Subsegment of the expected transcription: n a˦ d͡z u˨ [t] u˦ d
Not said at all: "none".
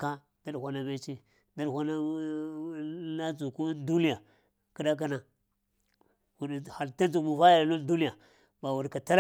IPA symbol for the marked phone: k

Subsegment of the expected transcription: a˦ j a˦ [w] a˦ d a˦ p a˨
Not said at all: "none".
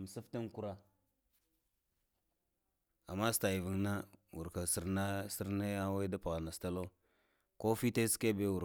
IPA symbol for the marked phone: w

